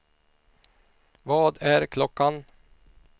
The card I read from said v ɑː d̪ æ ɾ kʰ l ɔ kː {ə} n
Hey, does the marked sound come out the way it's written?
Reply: no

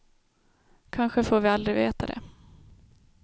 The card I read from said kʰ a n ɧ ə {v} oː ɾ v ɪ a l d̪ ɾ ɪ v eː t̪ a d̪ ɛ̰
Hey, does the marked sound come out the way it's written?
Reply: no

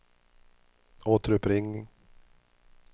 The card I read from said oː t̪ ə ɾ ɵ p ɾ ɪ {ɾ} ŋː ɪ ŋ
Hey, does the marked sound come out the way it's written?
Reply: no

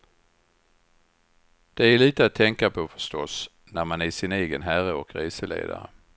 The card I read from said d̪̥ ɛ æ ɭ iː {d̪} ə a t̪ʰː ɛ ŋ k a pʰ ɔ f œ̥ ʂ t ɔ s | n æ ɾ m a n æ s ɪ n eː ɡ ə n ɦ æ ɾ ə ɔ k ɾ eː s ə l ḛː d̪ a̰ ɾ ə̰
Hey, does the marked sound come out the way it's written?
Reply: no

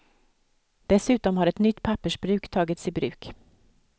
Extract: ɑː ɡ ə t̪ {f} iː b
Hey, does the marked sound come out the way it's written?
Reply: no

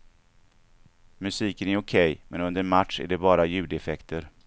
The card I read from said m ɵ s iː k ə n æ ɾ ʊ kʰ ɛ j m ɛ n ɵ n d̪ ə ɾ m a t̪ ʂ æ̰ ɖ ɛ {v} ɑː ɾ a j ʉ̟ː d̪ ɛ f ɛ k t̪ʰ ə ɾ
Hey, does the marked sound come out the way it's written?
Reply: no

